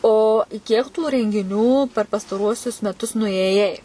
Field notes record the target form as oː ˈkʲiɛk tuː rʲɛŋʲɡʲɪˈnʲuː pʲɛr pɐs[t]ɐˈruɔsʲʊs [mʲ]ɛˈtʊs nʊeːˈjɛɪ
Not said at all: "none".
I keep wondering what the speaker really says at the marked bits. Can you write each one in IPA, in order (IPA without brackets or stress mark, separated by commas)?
t, mʲ